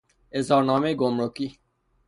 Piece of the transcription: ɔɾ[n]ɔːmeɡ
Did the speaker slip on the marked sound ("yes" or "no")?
no